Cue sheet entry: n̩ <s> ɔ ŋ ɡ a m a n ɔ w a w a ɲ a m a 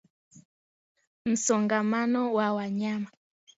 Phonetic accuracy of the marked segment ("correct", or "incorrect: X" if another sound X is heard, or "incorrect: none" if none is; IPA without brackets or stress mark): correct